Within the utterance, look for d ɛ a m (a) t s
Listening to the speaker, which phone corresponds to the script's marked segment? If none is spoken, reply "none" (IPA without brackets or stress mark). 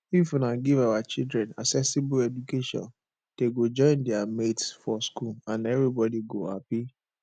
e